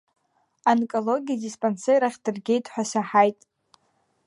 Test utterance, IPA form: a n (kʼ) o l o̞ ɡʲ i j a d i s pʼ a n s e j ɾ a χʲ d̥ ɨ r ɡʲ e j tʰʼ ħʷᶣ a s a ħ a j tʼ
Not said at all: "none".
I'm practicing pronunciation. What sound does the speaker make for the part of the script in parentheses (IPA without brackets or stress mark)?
kʼ